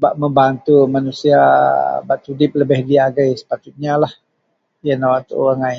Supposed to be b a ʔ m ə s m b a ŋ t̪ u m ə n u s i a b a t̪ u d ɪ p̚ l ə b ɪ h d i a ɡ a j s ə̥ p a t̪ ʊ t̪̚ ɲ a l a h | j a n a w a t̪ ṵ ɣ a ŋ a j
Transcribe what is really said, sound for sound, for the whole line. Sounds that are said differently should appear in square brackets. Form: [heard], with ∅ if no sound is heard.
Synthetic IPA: b a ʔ m ə [∅] m b a [n] t̪ u m [a] n u s i a b a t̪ u d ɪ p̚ l ə b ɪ h d i a ɡ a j s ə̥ p a t̪ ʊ t̪̚ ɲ a l a h | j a n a w a t̪ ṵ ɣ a ŋ a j